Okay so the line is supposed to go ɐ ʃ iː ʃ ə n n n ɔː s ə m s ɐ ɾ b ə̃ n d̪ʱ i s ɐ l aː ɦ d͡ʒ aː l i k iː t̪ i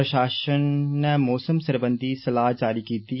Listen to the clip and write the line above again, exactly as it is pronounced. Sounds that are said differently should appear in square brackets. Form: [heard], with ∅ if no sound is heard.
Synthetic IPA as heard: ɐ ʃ [aː] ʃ ə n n [m] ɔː s ə m s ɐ ɾ b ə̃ n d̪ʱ i s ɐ l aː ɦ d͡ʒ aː [ɾ] i k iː t̪ i